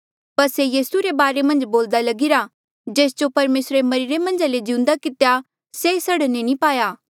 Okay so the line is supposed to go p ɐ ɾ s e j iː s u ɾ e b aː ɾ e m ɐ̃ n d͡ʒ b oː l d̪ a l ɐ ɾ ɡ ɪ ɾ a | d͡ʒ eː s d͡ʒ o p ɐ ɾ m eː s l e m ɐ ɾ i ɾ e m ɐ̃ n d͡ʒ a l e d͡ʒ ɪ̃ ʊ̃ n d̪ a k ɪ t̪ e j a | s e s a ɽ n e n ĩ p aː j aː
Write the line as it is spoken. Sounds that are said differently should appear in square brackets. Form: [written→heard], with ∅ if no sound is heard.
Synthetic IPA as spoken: p ɐ ɾ s e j iː s u ɾ e b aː ɾ e m ɐ̃ n d͡ʒ b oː l d̪ a l ɐ [ɾ→∅] ɡ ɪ ɾ a | d͡ʒ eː s d͡ʒ o p ɐ ɾ m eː s [l→ɾ] e m ɐ ɾ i ɾ e m ɐ̃ n d͡ʒ a l e d͡ʒ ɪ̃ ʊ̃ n d̪ a k ɪ t̪ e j a | s e s [a→ɐ] ɽ n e n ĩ p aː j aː